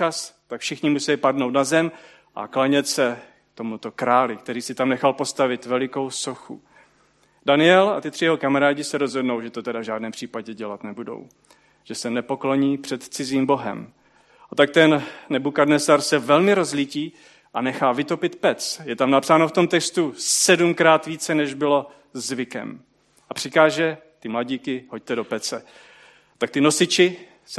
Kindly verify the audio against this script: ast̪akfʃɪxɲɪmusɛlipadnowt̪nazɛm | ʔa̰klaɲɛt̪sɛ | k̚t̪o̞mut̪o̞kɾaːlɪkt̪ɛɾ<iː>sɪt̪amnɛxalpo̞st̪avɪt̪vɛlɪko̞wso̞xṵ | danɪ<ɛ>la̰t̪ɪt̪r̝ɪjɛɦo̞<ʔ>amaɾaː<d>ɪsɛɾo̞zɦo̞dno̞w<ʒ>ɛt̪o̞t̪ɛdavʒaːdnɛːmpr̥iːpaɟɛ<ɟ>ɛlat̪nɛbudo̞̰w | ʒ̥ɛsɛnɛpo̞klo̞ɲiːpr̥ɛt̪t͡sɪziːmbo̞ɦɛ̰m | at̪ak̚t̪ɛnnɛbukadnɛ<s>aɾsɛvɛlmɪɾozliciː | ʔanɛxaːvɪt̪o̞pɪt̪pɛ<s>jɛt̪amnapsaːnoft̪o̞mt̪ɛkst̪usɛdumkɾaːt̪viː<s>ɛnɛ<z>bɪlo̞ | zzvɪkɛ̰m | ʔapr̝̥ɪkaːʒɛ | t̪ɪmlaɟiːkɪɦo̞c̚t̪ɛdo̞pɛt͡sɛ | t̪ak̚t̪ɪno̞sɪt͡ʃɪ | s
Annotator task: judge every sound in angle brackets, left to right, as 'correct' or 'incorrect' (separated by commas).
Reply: correct, correct, incorrect, incorrect, correct, correct, correct, incorrect, incorrect, incorrect